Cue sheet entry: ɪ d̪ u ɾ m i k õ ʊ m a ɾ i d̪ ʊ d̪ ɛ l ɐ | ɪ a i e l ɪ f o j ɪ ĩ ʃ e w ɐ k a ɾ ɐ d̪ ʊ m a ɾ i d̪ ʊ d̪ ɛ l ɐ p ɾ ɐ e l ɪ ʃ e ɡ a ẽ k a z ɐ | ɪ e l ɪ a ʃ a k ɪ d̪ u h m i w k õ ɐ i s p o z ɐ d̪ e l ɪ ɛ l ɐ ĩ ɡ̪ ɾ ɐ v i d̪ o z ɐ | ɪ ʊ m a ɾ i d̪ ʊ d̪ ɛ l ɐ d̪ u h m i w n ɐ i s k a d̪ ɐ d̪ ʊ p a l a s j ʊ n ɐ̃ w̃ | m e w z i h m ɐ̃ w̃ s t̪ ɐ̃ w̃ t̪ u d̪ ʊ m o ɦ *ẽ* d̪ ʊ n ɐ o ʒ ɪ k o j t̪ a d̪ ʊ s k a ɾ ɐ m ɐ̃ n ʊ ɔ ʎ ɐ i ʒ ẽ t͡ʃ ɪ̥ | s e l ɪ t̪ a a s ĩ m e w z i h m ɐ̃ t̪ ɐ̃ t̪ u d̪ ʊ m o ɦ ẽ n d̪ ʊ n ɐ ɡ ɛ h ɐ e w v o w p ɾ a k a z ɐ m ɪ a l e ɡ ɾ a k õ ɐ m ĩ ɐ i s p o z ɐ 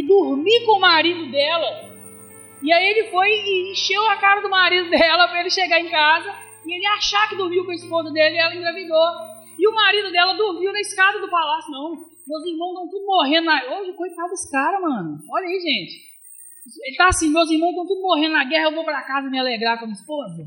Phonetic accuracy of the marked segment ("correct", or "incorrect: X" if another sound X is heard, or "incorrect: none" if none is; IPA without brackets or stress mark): correct